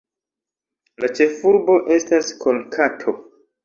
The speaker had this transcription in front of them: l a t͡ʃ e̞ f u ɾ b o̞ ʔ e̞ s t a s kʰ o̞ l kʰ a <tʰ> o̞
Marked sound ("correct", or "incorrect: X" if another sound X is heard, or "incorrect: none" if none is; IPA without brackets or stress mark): correct